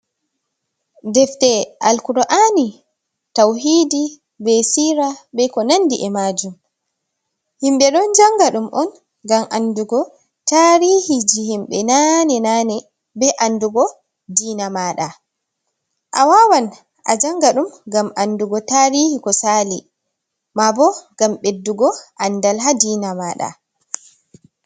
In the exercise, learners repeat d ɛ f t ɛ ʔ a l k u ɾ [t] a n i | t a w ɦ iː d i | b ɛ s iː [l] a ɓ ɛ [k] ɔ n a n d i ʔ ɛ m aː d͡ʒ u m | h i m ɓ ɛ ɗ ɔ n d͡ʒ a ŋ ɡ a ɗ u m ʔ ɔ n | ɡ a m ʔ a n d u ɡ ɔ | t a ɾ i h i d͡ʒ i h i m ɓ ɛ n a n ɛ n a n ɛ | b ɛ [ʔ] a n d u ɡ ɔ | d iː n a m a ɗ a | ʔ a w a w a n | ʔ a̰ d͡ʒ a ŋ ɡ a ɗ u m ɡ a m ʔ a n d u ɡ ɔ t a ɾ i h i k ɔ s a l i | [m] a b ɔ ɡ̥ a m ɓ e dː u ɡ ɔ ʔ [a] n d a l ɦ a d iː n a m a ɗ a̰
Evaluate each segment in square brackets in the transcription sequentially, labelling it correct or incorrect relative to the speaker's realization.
incorrect, incorrect, correct, correct, correct, correct

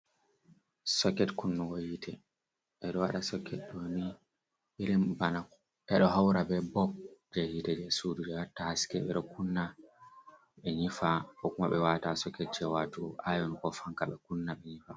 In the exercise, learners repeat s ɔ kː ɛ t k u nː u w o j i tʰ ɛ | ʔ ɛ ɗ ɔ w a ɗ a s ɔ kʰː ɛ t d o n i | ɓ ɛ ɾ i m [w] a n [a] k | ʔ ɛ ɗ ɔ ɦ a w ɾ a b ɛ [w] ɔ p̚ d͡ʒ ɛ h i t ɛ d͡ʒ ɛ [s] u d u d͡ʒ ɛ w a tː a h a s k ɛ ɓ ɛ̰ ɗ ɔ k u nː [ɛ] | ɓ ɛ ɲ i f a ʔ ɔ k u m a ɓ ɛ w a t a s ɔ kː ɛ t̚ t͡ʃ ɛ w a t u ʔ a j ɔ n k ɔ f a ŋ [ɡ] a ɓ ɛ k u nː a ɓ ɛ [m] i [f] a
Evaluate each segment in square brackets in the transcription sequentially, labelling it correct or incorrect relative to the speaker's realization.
incorrect, correct, incorrect, correct, incorrect, incorrect, incorrect, correct

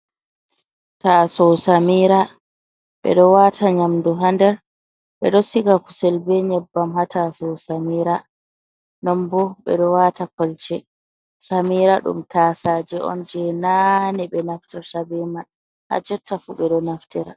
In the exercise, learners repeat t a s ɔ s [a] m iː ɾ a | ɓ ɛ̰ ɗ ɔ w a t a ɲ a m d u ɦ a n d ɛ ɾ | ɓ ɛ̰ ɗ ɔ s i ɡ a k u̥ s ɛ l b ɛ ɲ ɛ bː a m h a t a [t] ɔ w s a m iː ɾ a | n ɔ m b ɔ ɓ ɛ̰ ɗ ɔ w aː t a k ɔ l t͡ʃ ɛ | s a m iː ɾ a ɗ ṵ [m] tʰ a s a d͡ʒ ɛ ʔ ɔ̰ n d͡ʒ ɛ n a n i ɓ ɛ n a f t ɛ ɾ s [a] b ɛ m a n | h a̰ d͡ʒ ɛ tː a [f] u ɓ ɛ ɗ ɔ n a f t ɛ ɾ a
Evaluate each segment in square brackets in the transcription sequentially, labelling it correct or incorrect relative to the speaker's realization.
correct, incorrect, correct, correct, correct

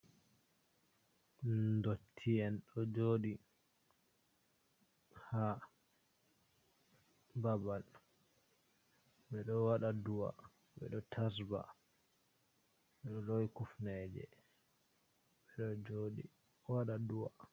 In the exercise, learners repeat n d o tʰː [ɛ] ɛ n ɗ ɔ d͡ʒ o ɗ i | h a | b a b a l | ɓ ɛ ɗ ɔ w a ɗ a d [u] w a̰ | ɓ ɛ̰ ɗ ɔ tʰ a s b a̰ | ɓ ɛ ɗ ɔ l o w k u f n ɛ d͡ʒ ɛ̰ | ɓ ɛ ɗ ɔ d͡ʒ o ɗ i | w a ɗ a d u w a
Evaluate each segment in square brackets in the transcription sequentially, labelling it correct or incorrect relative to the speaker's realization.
incorrect, correct

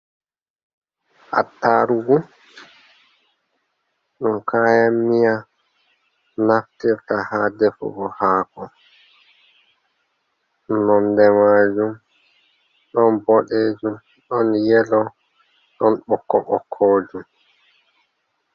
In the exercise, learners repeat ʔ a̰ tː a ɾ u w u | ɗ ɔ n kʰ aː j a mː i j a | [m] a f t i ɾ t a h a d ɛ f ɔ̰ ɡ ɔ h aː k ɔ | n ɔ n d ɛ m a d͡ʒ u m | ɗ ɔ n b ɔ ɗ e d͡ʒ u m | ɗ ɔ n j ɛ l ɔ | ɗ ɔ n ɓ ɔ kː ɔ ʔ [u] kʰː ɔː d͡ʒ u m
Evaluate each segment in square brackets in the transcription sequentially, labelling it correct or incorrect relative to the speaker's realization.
incorrect, incorrect

